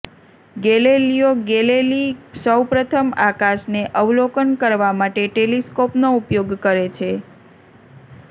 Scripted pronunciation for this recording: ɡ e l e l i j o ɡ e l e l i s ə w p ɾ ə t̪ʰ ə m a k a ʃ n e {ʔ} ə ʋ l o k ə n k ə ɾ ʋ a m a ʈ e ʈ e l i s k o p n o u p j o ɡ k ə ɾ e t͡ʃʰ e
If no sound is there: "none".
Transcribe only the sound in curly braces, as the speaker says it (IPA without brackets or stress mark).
ʔ